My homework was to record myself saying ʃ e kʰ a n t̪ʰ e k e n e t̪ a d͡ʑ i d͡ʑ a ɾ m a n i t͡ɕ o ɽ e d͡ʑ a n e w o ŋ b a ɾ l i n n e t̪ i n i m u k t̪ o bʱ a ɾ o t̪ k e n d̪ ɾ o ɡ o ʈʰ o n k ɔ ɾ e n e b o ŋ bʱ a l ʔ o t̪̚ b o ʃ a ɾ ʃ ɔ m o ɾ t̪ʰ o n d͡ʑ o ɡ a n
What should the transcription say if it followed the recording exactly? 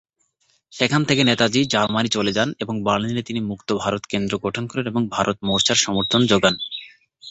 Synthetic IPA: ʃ e kʰ a n t̪ʰ e k e n e t̪ a d͡ʑ i d͡ʑ a ɾ m a n i t͡ɕ o l e d͡ʑ a n e b o ŋ b a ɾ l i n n e t̪ i n i m u k t̪ o bʱ a ɾ o t̪ k e n d̪ ɾ o ɡ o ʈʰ o n k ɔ ɾ e n e b o ŋ bʱ a ɾ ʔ o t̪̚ m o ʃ a ɾ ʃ ɔ m o ɾ t̪ʰ o n d͡ʑ o ɡ a n